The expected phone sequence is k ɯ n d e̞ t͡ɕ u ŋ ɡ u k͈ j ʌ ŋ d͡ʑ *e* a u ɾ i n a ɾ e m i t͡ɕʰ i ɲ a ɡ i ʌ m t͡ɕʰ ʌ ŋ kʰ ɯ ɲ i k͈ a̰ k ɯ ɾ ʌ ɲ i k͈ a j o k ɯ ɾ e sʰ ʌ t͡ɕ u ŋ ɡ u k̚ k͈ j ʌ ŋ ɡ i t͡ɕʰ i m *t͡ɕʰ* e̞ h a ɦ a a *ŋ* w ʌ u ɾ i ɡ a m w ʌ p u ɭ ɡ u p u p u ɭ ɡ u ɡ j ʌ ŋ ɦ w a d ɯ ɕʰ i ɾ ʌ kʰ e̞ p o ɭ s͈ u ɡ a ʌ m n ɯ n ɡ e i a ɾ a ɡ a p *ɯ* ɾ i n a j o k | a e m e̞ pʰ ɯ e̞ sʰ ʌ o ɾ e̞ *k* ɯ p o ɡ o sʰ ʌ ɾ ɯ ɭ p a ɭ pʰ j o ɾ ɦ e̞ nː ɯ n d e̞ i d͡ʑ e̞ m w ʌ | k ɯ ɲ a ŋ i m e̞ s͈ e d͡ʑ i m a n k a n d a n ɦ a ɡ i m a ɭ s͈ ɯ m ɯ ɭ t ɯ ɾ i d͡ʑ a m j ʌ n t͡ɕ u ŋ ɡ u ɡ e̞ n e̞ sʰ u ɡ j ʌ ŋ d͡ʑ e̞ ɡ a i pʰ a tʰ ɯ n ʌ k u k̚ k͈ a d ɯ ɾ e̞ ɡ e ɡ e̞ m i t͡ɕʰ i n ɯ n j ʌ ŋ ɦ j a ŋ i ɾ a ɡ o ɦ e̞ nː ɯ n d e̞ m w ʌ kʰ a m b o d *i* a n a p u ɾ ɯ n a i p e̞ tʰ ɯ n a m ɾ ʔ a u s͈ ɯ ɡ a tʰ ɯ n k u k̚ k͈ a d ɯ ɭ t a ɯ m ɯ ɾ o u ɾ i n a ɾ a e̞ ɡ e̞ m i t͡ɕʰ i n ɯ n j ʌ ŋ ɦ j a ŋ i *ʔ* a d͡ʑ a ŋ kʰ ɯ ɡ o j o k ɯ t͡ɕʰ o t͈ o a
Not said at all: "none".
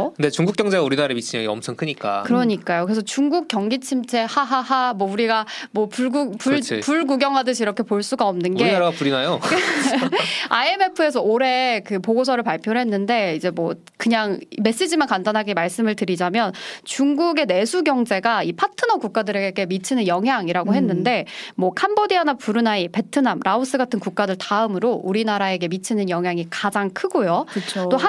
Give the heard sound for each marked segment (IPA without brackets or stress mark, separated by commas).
e, t͡ɕʰ, m, u, k, i, k